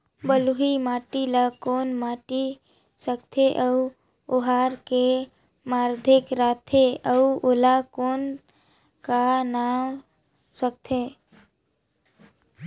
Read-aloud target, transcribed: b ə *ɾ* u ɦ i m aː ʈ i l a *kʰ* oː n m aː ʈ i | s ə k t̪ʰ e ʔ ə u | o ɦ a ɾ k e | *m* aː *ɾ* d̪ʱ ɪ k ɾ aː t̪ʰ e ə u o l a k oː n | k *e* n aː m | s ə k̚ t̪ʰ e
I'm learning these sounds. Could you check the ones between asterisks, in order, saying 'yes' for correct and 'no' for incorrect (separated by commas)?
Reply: no, no, yes, yes, no